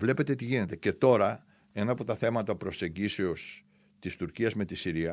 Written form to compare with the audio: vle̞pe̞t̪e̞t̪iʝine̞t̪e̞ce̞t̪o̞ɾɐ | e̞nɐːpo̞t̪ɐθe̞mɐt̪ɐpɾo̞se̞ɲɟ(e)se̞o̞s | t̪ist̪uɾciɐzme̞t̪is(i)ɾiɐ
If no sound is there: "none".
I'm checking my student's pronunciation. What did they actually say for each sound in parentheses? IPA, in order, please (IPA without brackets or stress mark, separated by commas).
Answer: i, i